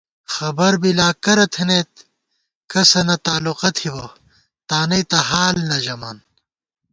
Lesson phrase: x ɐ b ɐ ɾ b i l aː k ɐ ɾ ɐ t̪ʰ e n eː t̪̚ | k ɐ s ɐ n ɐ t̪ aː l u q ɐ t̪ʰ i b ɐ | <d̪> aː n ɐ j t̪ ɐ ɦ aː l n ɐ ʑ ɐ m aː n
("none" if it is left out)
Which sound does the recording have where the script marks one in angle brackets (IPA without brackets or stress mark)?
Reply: t̪